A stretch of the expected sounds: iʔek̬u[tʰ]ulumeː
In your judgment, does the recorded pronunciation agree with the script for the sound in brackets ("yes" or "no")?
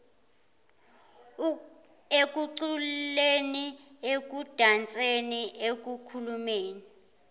no